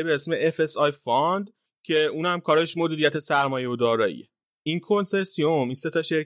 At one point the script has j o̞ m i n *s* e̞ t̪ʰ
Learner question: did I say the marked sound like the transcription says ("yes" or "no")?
yes